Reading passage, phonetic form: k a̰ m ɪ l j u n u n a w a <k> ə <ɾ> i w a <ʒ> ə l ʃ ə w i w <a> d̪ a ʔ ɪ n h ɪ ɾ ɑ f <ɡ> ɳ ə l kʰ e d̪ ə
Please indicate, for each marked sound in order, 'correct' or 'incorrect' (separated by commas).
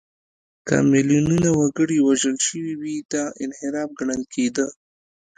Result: incorrect, incorrect, correct, incorrect, correct